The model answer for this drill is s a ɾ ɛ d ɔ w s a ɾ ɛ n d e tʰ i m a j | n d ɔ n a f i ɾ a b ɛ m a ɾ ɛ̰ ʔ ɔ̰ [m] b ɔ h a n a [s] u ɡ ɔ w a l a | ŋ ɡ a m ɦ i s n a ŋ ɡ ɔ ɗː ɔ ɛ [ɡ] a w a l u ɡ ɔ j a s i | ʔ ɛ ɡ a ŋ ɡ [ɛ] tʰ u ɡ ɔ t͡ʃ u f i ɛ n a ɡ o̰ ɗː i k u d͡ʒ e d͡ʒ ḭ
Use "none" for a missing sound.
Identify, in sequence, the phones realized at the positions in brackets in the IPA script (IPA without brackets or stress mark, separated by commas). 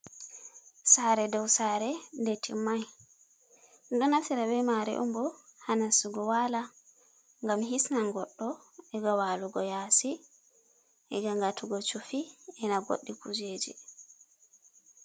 m, s, ɡ, a